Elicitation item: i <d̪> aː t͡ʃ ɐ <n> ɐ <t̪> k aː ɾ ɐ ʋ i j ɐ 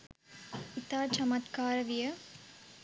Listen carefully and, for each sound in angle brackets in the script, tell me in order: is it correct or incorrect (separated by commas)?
incorrect, incorrect, correct